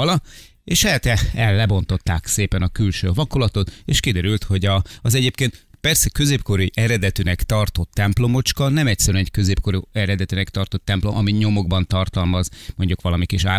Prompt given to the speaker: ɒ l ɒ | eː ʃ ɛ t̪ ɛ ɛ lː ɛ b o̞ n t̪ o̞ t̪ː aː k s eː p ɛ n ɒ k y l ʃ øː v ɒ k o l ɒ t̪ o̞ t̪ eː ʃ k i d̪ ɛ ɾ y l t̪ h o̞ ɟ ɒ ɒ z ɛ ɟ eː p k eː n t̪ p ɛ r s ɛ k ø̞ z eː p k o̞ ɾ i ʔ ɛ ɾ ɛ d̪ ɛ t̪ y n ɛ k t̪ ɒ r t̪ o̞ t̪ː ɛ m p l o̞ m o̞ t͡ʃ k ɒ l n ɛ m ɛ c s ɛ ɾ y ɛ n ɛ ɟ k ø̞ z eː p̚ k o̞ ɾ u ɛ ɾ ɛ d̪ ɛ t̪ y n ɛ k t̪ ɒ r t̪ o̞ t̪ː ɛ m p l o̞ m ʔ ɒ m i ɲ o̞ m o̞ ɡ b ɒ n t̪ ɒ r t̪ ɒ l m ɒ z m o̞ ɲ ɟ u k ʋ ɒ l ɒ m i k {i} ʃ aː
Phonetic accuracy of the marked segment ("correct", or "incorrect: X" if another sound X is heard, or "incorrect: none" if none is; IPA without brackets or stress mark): correct